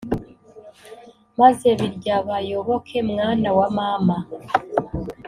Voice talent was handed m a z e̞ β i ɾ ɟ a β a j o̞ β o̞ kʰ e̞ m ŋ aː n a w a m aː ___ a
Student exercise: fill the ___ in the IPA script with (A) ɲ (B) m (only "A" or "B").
B